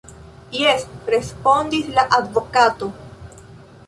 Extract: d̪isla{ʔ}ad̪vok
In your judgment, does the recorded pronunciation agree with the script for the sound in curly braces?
yes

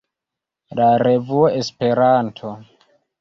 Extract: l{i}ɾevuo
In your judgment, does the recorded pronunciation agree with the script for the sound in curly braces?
no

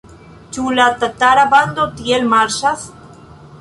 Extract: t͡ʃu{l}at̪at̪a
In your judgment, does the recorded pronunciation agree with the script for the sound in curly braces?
yes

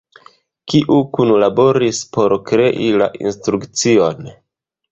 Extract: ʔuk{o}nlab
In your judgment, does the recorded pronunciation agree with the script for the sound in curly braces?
no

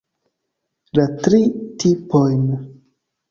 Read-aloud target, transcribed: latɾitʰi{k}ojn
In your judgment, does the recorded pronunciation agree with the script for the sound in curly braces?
no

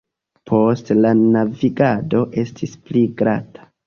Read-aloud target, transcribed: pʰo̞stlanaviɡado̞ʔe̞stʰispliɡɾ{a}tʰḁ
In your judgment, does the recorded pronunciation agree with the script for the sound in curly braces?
yes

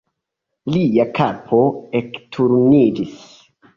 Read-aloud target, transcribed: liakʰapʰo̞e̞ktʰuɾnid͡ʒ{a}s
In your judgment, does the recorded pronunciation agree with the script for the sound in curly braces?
no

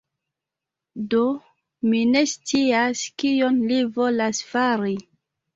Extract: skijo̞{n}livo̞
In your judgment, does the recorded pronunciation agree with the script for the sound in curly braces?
yes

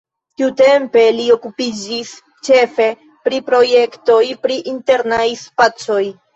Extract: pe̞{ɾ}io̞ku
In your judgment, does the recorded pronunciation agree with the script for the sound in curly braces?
no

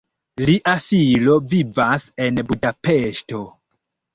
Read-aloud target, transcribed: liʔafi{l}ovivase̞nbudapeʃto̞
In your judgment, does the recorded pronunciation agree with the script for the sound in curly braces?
yes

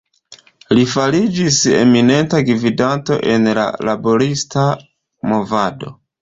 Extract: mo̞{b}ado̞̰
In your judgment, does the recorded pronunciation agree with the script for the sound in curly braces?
no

